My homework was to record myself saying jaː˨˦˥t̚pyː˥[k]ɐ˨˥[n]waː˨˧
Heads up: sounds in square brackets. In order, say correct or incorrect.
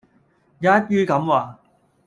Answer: correct, incorrect: m

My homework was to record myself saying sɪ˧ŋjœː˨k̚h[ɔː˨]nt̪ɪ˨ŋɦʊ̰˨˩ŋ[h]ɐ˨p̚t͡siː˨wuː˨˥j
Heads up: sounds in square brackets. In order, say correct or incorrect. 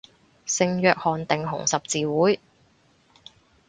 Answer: correct, incorrect: s

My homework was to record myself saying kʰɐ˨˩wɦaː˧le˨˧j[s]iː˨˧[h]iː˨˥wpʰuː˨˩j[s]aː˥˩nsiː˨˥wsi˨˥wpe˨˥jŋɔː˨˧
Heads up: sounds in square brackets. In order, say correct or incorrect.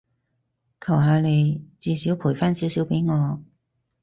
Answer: incorrect: t͡s, incorrect: s, incorrect: f

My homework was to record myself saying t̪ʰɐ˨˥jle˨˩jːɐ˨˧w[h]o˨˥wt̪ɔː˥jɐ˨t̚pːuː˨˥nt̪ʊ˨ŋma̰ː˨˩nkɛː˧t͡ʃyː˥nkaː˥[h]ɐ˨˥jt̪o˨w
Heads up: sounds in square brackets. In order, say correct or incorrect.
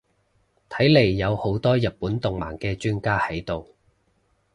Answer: correct, correct

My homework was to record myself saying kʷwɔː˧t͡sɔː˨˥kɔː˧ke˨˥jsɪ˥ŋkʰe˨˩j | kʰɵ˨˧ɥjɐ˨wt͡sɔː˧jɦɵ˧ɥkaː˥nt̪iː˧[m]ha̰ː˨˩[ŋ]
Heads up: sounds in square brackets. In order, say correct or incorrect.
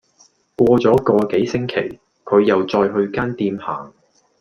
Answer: correct, correct

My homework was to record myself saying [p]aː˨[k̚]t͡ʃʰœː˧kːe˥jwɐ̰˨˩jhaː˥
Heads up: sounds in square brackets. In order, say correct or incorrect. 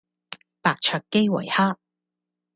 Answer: correct, correct

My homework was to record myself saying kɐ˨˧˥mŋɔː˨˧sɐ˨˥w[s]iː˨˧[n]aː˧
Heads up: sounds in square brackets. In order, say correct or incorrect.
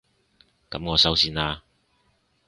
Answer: correct, correct

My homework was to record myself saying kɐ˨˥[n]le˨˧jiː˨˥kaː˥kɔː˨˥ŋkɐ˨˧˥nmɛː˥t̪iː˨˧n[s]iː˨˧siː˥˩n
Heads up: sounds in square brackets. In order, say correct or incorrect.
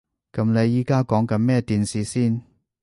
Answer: incorrect: m, correct

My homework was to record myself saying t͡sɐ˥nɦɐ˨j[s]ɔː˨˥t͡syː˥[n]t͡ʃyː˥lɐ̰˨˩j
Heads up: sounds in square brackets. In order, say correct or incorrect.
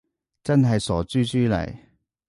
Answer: correct, incorrect: none

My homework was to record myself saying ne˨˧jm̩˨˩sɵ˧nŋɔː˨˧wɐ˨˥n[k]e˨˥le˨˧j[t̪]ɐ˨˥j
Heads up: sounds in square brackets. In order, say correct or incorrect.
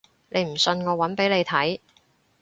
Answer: incorrect: p, incorrect: t̪ʰ

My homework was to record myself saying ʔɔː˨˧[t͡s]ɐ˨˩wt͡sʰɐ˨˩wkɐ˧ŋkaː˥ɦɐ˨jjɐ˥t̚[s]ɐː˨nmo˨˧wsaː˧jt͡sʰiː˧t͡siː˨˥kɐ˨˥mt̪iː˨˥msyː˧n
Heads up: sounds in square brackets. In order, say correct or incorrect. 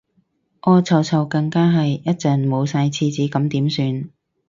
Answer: incorrect: t͡sʰ, incorrect: t͡s

